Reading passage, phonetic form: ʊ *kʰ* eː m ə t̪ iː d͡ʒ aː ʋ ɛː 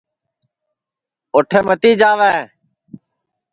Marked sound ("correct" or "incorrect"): incorrect